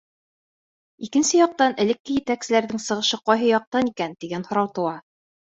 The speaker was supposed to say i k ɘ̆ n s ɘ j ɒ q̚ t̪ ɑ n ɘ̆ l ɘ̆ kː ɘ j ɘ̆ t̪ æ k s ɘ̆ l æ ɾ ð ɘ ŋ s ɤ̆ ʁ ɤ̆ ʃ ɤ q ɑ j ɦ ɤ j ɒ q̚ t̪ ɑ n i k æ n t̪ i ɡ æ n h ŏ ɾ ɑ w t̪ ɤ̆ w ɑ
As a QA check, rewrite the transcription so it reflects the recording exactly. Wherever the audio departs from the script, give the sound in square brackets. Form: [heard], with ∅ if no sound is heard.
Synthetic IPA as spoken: i k ɘ̆ n s ɘ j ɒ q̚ t̪ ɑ n ɘ̆ l ɘ̆ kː ɘ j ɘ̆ t̪ æ k s ɘ̆ l æ ɾ ð ɘ ŋ s ɤ̆ ʁ ɤ̆ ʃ ɤ q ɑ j ɦ ɤ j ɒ q̚ t̪ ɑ n i k æ n t̪ i ɡ æ n h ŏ ɾ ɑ w t̪ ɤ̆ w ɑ

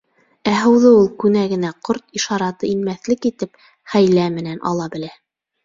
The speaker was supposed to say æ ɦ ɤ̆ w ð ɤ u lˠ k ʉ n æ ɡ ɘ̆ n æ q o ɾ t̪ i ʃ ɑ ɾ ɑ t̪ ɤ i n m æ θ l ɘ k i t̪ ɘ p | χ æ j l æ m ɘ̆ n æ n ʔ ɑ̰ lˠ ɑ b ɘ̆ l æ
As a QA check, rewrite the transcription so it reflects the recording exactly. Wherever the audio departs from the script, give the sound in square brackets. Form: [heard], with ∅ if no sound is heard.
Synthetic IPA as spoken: æ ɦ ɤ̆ w ð ɤ u lˠ k ʉ n æ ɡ ɘ̆ n æ q o ɾ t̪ i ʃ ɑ ɾ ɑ t̪ ɤ i n m æ θ l ɘ k i t̪ ɘ p | χ æ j l æ m ɘ̆ n æ n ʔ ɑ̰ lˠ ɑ b ɘ̆ l æ

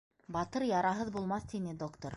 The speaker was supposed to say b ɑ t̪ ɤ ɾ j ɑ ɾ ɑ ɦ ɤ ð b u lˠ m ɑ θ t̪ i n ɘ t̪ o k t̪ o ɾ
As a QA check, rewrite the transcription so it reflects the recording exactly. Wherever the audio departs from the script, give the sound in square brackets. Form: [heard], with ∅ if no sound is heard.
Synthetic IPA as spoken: b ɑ t̪ ɤ ɾ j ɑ ɾ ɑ ɦ ɤ ð b u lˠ m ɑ θ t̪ i n ɘ [d̪] o k t̪ o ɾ

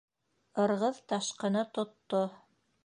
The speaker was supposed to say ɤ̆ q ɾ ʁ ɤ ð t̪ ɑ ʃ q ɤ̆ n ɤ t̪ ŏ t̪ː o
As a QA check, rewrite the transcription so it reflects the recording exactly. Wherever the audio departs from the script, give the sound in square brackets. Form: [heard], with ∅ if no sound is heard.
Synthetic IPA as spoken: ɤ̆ [∅] ɾ ʁ ɤ ð t̪ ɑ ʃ q ɤ̆ n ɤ t̪ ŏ t̪ː o

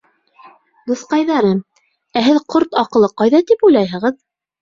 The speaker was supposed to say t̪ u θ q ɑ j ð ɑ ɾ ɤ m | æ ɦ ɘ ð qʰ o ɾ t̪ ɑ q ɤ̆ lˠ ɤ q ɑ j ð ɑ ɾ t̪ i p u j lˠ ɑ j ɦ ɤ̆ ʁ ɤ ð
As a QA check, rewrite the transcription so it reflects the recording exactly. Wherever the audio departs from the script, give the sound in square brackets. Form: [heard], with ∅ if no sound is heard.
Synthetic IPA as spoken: [d̪] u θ q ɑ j ð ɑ ɾ ɤ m | æ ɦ ɘ ð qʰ o ɾ t̪ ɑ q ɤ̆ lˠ ɤ q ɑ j ð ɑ [∅] t̪ i p u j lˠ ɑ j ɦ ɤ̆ ʁ ɤ ð

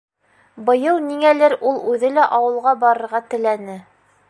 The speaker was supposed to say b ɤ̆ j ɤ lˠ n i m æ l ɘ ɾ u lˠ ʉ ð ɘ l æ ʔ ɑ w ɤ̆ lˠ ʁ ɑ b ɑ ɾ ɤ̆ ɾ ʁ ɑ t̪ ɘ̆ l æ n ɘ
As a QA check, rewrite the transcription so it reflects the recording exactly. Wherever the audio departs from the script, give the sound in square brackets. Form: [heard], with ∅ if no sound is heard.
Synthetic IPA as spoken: b ɤ̆ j ɤ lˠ n i [ŋ] æ l ɘ ɾ u lˠ ʉ ð ɘ l æ ʔ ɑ w ɤ̆ lˠ ʁ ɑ b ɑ ɾ ɤ̆ ɾ ʁ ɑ t̪ ɘ̆ l æ n ɘ

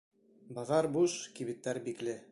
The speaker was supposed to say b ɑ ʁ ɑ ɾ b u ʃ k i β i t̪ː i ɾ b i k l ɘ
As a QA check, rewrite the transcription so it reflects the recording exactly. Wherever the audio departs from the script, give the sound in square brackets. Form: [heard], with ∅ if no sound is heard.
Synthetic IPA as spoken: b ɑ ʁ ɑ ɾ b u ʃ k i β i t̪ː [æ] ɾ b i k l ɘ

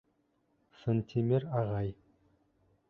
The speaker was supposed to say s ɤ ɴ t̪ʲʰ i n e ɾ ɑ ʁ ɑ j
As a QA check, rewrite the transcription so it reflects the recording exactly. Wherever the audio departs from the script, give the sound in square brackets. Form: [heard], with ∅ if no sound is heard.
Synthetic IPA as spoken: s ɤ [n] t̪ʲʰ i [m] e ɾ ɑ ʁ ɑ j

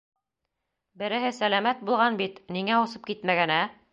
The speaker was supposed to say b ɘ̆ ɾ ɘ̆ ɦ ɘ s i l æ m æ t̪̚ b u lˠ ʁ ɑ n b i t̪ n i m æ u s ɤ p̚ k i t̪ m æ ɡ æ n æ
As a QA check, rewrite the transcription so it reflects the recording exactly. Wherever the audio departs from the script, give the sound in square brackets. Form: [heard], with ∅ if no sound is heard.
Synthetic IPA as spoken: b ɘ̆ ɾ ɘ̆ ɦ ɘ s [æ] l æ m æ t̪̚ b u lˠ ʁ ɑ n b i t̪ n i [ŋ] æ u s ɤ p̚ k i t̪ m æ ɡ æ n æ

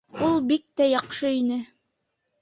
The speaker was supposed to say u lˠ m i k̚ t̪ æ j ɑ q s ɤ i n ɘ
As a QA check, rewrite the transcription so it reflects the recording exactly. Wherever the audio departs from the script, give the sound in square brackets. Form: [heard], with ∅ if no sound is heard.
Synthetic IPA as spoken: u lˠ [b] i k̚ t̪ æ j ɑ q [ʃ] ɤ i n ɘ

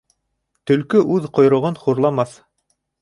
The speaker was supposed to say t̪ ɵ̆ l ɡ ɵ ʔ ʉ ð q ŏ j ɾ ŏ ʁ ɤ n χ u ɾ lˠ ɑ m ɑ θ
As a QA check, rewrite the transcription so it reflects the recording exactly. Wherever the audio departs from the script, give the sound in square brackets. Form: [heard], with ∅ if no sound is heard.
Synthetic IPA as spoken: t̪ ɵ̆ l [k] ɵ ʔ ʉ ð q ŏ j ɾ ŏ ʁ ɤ n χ u ɾ lˠ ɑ m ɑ θ

